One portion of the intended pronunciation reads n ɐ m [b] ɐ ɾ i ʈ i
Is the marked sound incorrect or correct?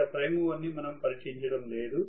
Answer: incorrect